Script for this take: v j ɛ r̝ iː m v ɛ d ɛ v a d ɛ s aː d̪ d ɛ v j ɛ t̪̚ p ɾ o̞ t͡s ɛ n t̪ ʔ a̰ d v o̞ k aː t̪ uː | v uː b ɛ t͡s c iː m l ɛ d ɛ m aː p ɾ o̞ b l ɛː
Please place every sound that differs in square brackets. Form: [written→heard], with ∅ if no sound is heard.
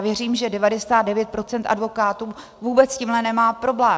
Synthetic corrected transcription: v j ɛ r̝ iː m [v→ʒ] ɛ d ɛ v a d ɛ s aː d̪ d ɛ v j ɛ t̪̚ p ɾ o̞ t͡s ɛ n t̪ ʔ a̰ d v o̞ k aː t̪ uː | v uː b ɛ t͡s c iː m l ɛ [d→n] ɛ m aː p ɾ o̞ b l ɛː